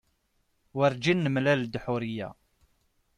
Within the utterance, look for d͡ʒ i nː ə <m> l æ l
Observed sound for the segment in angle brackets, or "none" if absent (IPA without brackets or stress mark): m